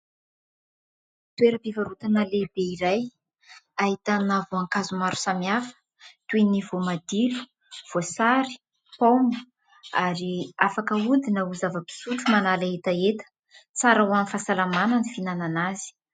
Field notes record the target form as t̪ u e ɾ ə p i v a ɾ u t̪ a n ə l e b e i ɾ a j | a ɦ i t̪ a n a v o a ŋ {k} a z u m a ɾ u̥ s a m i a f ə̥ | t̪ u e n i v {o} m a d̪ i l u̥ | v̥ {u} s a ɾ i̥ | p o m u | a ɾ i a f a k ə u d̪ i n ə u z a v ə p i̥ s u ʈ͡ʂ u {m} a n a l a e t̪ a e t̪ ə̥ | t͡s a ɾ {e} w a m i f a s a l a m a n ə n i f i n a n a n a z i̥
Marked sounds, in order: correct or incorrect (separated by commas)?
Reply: correct, correct, incorrect, correct, incorrect